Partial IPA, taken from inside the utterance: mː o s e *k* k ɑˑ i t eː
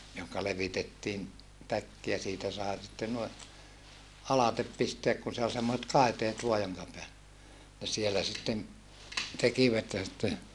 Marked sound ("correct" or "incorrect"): incorrect